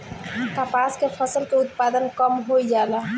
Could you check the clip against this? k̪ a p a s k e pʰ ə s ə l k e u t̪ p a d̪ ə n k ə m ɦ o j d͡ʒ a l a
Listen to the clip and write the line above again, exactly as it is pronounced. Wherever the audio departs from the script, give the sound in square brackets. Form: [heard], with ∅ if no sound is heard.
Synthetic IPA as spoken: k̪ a p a s k e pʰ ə s ə l k e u t̪ p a d̪ ə n k ə m ɦ o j d͡ʒ a l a